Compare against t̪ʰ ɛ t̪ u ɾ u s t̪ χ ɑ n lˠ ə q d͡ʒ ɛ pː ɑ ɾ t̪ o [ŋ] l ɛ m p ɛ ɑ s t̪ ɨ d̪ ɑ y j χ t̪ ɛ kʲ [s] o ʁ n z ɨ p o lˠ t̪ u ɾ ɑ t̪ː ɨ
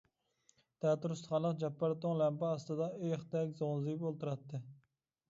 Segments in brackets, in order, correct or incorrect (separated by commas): correct, incorrect